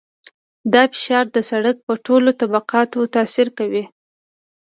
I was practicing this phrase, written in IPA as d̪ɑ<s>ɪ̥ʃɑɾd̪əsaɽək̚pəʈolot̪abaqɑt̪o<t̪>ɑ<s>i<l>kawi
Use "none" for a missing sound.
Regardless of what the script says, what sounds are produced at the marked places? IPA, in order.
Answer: f, t̪, s, ɾ

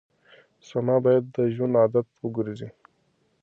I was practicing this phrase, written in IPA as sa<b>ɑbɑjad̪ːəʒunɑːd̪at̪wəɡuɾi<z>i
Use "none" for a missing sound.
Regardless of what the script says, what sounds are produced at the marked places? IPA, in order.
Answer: m, z

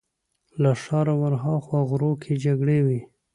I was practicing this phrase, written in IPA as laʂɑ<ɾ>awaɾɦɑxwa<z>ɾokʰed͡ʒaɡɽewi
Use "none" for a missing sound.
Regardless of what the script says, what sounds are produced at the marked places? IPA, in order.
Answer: ɾ, ɣ

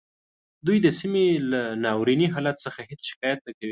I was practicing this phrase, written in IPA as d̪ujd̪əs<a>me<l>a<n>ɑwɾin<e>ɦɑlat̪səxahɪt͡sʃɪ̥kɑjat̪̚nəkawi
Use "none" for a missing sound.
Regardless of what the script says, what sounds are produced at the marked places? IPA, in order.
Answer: i, l, n, i

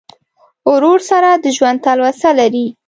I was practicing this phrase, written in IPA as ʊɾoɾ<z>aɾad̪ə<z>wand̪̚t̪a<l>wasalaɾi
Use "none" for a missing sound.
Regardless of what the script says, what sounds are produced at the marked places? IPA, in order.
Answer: s, ʒ, l

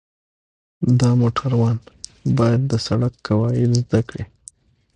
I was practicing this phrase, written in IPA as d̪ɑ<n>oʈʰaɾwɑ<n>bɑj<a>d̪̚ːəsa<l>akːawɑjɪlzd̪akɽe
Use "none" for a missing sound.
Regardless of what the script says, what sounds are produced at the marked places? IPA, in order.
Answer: m, n, a, ɽ

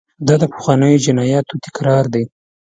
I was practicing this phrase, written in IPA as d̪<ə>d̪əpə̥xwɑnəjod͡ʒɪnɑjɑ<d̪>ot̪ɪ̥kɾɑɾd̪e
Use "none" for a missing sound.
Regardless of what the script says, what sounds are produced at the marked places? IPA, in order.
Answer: ɑ, t̪

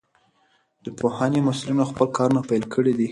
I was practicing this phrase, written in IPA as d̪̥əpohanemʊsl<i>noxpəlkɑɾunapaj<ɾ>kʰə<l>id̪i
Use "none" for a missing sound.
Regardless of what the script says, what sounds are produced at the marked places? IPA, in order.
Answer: i, l, ɽ

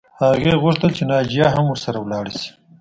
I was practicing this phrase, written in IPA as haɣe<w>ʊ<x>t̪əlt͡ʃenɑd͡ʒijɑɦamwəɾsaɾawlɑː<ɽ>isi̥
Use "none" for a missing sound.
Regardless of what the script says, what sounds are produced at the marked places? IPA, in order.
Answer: ɣ, ʂ, ɽ

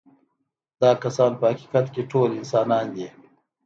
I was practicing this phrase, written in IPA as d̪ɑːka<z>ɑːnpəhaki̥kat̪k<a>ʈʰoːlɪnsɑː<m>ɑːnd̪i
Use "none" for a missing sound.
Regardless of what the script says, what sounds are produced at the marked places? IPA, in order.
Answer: s, e, n

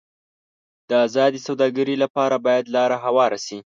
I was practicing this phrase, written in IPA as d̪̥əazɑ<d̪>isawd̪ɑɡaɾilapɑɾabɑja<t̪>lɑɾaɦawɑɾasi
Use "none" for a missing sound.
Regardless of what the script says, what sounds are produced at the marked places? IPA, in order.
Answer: d̪, d̪

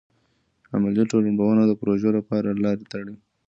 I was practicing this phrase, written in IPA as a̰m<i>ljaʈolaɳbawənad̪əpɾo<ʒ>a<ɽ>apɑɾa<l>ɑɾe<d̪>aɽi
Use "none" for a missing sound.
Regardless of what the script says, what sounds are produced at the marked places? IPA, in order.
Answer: a, ʒ, l, l, t̪

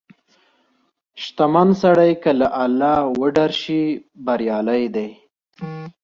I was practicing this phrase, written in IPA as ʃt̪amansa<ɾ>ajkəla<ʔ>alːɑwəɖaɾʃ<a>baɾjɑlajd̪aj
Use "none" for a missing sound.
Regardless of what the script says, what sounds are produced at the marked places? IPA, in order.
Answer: ɽ, ʔ, i

